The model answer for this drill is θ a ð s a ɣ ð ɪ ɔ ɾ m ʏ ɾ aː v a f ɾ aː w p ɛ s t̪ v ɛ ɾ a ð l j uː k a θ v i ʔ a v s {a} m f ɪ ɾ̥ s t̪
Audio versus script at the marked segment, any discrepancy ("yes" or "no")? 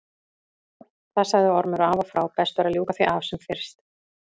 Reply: yes